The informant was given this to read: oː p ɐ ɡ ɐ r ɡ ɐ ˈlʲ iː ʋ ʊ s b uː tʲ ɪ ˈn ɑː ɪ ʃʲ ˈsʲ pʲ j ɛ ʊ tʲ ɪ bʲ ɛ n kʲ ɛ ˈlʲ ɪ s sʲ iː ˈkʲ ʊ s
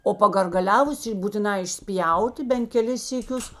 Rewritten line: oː p ɐ ɡ ɐ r ɡ ɐ ˈlʲ æː ʋ ʊ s b uː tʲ ɪ ˈn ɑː ɪ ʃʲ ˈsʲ pʲ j ɛ ʊ tʲ ɪ bʲ ɛ n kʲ ɛ ˈlʲ ɪ s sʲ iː ˈkʲ ʊ s